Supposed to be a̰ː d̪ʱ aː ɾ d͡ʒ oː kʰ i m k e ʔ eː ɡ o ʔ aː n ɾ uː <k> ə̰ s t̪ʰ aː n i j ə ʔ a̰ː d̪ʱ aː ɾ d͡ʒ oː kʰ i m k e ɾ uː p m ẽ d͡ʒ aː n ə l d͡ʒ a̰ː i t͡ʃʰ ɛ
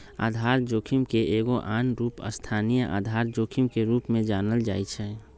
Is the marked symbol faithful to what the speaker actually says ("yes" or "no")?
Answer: no